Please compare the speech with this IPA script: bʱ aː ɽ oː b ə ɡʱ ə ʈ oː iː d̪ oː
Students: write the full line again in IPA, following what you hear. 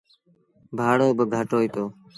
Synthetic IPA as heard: bʱ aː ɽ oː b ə ɡʱ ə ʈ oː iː t̪ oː